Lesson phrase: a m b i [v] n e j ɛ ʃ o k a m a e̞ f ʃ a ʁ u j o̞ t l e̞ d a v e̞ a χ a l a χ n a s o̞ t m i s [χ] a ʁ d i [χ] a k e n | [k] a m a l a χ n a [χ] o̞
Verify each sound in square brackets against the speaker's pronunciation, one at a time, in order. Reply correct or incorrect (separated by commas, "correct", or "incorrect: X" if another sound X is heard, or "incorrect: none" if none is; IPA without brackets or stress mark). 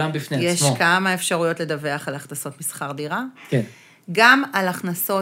incorrect: f, correct, incorrect: ʁ, incorrect: ɡ, incorrect: s